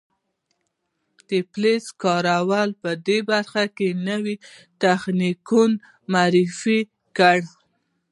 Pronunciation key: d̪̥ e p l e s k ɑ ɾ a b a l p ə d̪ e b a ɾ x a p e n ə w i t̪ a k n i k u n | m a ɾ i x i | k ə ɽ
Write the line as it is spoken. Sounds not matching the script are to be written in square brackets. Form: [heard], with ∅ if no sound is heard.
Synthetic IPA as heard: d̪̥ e p l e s k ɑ ɾ a [w] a l p ə d̪ e b a ɾ x a [k] e n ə w i t̪ a [x] n i k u n | m a ɾ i [f] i | k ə ɽ